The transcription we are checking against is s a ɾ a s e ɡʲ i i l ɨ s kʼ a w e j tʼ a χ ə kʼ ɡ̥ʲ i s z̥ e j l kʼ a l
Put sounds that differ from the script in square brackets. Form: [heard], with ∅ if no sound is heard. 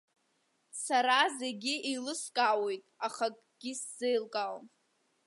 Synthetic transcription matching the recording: s a ɾ a [z] e ɡʲ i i l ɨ s kʼ a w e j tʼ a χ [a] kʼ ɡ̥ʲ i s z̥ e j l kʼ a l